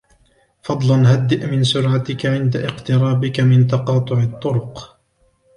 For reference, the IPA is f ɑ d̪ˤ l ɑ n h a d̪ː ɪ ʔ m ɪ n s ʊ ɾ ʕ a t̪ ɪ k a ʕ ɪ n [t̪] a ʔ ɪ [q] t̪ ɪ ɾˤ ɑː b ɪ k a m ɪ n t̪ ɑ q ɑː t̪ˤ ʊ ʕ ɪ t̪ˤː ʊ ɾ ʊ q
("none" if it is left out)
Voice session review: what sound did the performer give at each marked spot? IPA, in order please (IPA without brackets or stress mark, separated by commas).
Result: d̪, q